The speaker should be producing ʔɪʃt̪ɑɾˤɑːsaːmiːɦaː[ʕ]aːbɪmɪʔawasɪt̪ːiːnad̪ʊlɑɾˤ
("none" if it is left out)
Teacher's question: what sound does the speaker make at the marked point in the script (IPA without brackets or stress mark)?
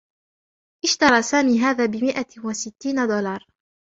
ð